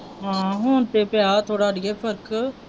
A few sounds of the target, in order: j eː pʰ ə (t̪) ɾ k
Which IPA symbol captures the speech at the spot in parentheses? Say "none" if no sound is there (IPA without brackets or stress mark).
none